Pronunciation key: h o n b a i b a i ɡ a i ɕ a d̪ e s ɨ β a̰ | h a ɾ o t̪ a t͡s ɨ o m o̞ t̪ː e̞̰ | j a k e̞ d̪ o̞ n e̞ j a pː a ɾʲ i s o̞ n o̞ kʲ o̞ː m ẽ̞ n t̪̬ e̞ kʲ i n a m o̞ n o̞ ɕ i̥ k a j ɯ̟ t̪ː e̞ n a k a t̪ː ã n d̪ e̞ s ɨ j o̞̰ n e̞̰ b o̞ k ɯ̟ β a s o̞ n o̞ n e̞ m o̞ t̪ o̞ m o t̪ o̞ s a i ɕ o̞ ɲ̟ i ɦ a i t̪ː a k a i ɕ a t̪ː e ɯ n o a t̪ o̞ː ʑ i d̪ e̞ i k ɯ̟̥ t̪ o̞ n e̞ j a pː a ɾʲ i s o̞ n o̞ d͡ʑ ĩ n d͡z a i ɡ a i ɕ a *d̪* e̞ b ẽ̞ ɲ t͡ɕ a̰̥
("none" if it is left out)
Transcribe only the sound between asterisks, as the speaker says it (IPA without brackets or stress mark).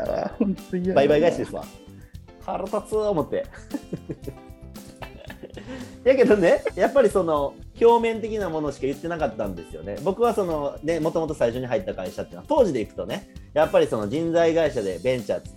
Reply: d̪